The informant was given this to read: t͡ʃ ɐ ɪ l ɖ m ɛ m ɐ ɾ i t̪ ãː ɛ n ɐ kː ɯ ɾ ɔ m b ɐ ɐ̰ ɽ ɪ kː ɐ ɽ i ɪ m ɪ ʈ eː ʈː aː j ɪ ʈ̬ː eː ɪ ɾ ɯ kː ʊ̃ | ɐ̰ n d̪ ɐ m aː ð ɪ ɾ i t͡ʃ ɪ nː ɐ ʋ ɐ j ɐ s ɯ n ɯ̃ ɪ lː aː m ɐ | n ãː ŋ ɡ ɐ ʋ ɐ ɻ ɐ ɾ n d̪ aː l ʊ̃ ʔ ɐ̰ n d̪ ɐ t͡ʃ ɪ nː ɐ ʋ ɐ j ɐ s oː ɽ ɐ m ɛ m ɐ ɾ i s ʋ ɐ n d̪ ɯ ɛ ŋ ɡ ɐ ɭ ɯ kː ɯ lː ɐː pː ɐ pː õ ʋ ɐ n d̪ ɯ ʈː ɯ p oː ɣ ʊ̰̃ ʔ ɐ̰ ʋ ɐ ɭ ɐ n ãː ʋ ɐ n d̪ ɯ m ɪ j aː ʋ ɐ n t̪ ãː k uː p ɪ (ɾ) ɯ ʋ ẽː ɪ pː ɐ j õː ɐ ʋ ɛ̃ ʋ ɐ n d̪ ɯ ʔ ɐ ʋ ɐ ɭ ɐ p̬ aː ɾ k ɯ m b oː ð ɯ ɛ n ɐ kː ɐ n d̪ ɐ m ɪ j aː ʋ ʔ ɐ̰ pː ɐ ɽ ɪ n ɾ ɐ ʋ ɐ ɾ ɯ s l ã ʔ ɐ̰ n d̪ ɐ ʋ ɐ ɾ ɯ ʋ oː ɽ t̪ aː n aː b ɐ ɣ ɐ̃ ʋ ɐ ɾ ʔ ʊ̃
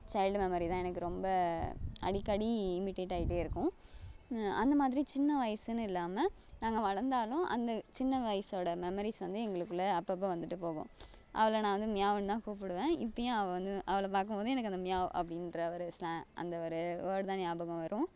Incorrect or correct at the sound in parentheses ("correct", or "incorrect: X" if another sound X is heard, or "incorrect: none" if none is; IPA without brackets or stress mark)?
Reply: incorrect: ɽ